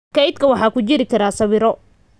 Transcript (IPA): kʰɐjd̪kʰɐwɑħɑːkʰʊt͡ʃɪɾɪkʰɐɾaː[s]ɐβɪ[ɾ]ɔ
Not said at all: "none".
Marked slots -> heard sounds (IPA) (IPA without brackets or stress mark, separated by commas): s, ɾ